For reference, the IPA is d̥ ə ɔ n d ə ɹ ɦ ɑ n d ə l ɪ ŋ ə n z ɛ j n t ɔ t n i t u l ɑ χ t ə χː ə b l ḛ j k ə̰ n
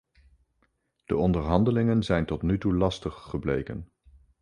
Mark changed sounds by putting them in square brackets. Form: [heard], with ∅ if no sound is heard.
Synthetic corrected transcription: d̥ ə ɔ n d ə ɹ ɦ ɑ n d ə l ɪ ŋ ə n z ɛ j n t ɔ t n [y] t u l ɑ [s] t ə χː ə b l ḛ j k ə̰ n